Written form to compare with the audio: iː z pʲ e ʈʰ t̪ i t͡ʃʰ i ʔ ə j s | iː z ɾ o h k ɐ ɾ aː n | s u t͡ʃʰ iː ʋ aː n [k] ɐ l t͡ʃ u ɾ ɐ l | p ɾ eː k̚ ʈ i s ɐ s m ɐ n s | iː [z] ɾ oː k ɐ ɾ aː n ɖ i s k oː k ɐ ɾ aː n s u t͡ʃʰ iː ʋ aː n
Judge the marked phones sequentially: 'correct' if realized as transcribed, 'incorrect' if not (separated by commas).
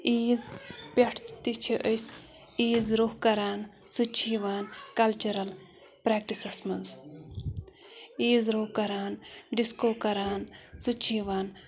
correct, correct